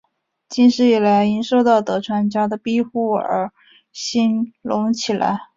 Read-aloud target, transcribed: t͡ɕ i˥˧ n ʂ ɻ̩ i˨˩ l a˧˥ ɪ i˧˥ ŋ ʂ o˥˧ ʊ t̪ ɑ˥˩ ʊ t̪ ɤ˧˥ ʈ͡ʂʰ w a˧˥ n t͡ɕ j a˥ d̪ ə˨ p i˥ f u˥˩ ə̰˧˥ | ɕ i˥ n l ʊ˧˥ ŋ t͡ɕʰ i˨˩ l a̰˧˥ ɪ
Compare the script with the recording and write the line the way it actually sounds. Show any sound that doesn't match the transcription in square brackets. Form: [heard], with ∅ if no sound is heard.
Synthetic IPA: t͡ɕ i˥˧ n ʂ ɻ̩ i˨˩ l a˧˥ ɪ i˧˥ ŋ ʂ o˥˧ ʊ t̪ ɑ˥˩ ʊ t̪ ɤ˧˥ ʈ͡ʂʰ w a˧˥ n t͡ɕ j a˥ d̪ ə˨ p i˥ [x] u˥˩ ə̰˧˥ | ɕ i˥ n l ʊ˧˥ ŋ t͡ɕʰ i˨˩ l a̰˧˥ ɪ